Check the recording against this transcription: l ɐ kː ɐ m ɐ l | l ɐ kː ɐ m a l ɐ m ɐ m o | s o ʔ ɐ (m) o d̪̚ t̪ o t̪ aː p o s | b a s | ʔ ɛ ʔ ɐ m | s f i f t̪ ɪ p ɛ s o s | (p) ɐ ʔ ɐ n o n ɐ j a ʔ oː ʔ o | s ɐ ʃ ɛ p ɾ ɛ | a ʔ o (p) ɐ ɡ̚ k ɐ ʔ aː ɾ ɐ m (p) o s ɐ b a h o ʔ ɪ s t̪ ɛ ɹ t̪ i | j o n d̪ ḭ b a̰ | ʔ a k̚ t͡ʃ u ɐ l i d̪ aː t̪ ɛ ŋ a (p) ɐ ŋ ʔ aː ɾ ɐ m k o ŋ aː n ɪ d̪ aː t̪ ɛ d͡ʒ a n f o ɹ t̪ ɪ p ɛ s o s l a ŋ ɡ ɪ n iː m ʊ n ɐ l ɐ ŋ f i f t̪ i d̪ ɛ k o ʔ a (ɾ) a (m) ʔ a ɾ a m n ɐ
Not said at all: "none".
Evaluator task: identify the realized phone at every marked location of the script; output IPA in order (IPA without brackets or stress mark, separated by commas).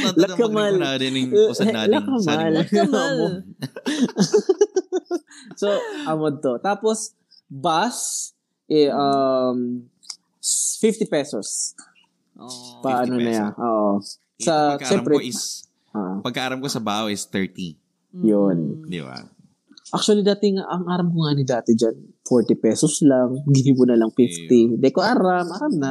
m, p, p, k, ʔ, ɾ, m